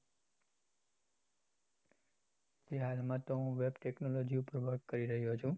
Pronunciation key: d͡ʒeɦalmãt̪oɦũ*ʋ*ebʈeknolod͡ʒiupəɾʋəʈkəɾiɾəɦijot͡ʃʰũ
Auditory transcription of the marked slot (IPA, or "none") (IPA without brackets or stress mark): ʋ